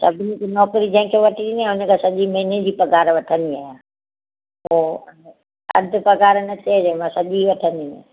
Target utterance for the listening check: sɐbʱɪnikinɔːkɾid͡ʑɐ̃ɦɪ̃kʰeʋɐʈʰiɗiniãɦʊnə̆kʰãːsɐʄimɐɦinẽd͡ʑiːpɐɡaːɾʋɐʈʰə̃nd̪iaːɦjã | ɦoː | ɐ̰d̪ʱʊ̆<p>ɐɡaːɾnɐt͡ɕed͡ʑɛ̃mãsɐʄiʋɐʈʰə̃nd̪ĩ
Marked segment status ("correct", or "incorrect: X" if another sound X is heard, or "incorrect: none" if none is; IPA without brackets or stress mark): correct